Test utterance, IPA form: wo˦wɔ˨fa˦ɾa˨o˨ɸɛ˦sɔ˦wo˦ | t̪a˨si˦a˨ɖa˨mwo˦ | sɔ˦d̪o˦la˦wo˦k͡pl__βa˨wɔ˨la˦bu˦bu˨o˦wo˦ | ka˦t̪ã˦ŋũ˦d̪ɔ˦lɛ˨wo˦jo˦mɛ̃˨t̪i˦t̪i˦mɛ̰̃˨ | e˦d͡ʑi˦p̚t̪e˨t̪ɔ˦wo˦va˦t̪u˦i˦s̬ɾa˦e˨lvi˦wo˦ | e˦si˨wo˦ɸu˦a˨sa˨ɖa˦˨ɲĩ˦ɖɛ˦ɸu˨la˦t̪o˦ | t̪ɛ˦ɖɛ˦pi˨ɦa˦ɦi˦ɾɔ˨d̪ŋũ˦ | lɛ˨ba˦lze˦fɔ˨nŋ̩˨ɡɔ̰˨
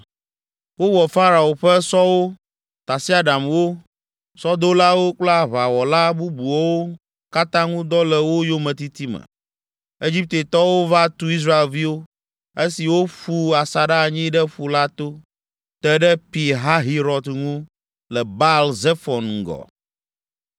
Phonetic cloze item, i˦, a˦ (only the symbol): a˦